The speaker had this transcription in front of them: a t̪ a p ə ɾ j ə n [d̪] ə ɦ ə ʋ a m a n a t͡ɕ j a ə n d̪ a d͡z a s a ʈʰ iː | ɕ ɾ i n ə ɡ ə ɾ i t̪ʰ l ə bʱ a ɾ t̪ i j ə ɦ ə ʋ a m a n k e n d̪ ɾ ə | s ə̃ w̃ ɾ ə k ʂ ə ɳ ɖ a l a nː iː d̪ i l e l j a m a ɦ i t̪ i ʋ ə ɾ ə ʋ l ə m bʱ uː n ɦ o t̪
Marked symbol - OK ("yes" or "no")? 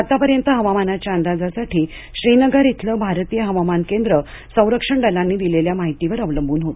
no